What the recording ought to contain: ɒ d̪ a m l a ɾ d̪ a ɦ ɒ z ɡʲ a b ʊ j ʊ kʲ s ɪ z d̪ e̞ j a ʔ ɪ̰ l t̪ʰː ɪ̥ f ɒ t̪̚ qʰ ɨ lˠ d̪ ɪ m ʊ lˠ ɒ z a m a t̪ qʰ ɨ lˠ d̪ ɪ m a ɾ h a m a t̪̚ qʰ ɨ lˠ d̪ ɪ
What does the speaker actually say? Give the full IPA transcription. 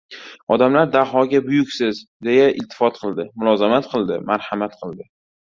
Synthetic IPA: ɒ d̪ a m l a ɾ d̪ a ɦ ɒ ɡʲ a b ʊ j ʊ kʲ s ɪ z d̪ e̞ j a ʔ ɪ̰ l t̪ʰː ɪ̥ f ɒ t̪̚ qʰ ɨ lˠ d̪ ɪ m ʊ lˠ ɒ z a m a t̪ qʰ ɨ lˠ d̪ ɪ m a ɾ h a m a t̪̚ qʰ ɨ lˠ d̪ ɪ